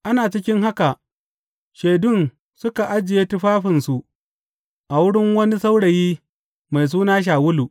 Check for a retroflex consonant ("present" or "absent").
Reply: present